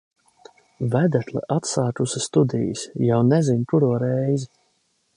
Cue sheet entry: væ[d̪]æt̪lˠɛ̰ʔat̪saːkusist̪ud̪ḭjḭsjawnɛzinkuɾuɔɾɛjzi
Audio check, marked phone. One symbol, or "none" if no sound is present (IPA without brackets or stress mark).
d̪